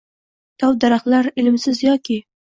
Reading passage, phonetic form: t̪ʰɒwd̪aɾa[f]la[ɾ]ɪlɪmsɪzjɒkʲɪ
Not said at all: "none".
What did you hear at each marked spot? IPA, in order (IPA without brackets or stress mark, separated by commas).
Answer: χ, ɾ